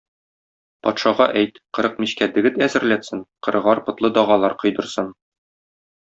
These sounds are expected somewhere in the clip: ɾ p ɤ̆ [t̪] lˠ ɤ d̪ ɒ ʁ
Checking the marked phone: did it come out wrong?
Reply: no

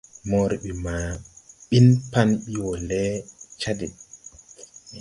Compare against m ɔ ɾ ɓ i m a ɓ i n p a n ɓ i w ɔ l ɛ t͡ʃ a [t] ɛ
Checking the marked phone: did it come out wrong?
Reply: yes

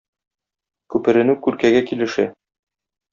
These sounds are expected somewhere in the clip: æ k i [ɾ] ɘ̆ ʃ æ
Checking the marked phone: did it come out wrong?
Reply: yes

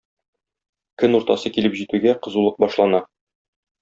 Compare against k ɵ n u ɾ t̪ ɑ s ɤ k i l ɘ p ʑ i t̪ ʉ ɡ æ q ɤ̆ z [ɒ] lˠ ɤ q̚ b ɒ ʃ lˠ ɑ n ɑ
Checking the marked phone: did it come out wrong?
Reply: yes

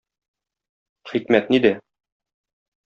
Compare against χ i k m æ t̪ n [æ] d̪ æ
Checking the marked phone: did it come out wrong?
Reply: yes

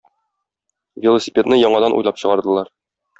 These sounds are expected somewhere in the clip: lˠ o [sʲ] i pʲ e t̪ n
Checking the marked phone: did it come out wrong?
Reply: no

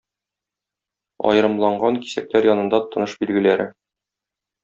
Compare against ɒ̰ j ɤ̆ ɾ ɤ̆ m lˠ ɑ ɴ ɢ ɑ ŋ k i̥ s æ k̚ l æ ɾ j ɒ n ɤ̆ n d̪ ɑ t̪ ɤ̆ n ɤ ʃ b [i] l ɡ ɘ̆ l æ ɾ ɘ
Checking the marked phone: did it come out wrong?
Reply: no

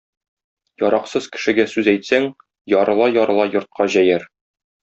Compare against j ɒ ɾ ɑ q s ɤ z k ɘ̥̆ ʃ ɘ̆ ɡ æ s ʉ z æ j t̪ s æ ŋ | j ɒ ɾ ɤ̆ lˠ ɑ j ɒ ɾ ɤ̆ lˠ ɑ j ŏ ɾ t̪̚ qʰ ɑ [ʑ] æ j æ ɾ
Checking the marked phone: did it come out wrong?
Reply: no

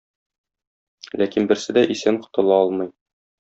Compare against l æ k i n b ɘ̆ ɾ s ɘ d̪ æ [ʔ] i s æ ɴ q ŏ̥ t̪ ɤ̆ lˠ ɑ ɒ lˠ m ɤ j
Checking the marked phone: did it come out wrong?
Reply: no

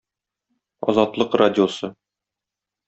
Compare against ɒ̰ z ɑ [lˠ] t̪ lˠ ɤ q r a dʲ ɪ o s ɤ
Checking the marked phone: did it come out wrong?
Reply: yes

